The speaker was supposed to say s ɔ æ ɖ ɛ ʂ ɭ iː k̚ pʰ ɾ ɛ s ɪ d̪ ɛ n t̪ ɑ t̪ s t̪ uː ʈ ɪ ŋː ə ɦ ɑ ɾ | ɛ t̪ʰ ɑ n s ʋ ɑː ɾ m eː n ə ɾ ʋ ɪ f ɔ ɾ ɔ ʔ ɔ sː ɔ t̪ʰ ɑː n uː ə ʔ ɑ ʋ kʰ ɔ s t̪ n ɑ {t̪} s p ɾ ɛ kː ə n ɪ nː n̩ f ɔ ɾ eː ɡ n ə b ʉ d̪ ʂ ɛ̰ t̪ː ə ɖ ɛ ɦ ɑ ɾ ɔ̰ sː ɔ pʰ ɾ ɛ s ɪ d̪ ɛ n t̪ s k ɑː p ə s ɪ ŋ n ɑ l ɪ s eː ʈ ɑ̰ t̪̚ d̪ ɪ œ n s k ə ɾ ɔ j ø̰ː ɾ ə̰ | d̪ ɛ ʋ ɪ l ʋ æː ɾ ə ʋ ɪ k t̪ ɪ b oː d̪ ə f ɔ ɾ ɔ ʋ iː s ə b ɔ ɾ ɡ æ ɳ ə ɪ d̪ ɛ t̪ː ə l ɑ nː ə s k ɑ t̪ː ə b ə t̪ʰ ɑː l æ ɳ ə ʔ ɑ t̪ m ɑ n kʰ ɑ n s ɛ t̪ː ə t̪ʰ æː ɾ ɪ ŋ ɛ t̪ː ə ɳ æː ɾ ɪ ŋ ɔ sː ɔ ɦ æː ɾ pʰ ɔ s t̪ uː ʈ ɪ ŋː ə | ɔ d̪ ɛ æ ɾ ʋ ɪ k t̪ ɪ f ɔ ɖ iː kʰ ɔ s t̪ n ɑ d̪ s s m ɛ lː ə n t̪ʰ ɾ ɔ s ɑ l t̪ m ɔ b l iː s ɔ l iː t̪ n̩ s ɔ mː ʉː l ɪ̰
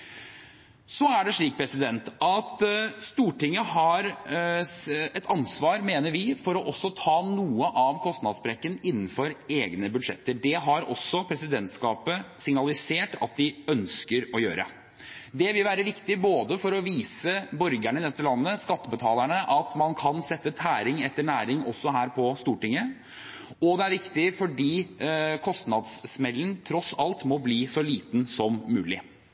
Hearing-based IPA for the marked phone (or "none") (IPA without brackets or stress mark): d̪